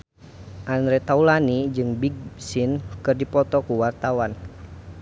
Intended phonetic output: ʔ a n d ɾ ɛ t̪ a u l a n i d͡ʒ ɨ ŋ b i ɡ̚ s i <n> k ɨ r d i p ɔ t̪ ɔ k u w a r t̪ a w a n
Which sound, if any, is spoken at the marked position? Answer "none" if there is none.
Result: n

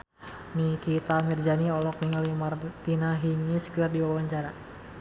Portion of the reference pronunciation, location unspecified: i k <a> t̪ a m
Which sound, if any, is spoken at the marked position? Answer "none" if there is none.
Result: i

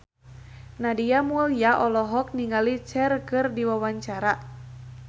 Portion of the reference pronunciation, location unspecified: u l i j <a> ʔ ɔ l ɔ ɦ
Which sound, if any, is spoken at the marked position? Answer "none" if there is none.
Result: a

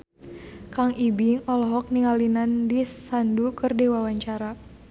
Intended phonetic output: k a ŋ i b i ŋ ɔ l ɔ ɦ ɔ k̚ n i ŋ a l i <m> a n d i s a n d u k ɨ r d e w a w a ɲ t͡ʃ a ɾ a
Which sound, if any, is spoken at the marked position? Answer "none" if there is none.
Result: n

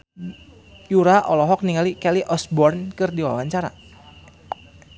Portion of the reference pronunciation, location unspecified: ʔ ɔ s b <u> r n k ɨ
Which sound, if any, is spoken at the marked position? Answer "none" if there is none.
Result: ɔ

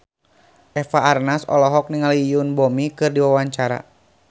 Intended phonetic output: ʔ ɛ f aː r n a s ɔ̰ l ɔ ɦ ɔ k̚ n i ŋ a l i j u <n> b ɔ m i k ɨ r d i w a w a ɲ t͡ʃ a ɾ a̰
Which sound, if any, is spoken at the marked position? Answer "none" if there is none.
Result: n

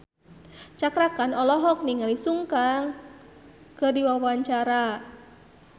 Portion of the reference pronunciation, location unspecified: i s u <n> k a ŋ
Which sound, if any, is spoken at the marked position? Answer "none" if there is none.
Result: ŋ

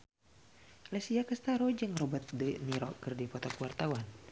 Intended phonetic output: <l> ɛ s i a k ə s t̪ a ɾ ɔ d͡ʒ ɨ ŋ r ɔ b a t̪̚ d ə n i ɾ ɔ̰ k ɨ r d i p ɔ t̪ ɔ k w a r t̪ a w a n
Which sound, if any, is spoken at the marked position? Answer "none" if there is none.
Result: l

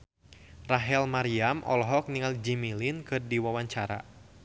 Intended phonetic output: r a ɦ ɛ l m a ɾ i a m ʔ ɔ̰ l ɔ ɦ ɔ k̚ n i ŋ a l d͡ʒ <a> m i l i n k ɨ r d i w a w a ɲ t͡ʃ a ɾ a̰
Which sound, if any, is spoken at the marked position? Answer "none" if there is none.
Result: i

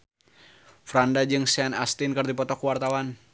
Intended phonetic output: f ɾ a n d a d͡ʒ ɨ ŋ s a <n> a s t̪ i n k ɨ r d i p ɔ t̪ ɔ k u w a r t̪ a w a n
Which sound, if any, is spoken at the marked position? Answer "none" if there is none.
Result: n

